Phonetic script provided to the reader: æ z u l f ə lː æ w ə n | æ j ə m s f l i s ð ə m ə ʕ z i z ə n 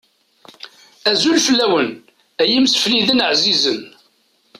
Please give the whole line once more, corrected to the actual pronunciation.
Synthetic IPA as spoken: æ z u l f ə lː æ w ə n | æ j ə m s f l i ð ə n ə ʕ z i z ə n